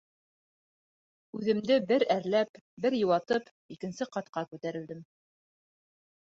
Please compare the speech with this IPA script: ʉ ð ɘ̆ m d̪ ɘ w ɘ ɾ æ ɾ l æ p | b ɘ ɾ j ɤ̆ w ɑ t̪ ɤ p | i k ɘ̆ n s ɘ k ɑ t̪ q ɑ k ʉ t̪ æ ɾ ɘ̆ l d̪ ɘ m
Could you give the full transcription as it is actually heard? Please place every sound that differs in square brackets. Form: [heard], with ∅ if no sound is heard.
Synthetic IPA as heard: ʉ ð ɘ̆ m d̪ ɘ [b] ɘ ɾ æ ɾ l æ p | b ɘ ɾ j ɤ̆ w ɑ t̪ ɤ p | i k ɘ̆ n s ɘ [q] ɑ t̪ q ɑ k ʉ t̪ æ ɾ ɘ̆ l d̪ ɘ m